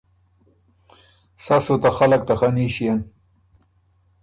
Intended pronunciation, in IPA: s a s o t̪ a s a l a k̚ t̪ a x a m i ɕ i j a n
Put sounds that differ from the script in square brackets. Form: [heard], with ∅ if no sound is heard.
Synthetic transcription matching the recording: s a s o t̪ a [x] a l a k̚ t̪ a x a [n] i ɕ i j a n